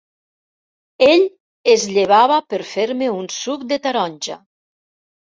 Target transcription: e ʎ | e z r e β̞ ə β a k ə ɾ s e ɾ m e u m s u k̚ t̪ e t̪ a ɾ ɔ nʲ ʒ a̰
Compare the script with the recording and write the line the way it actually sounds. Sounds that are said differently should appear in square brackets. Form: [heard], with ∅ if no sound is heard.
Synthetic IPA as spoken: e ʎ | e z [ʎ] e β̞ [a] β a [p] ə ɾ [f] e ɾ m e u [n] s u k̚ [d̪] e t̪ a ɾ ɔ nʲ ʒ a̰